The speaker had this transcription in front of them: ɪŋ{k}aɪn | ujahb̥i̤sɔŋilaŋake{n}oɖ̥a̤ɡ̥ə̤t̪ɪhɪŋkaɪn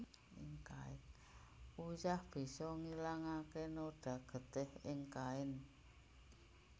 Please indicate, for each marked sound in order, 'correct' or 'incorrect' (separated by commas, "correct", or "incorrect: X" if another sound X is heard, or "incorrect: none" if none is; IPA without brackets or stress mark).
correct, correct